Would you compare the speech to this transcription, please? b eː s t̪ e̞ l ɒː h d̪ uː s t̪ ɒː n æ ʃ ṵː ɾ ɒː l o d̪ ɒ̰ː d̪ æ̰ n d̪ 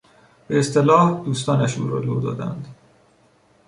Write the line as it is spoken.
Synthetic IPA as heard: b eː s t̪ e̞ l ɒː h d̪ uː s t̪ ɒː n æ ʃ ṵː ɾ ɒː l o d̪ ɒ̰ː d̪ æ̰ n d̪